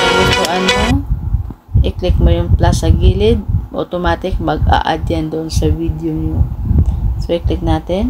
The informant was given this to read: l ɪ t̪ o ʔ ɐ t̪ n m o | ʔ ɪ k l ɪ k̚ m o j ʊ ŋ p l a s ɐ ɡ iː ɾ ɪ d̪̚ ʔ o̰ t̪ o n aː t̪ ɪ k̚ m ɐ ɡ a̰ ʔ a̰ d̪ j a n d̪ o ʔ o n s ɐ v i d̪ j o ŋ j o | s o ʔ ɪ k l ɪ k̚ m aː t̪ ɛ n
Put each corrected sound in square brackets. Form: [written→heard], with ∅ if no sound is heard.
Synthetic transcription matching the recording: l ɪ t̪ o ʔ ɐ [t̪→∅] n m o | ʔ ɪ k l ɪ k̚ m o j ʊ ŋ p l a s ɐ ɡ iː [ɾ→l] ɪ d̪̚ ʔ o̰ t̪ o [n→m] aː t̪ ɪ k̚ m ɐ ɡ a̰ ʔ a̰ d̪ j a n d̪ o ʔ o n s ɐ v i d̪ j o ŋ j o | s o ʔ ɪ k l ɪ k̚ [m→n] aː t̪ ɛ n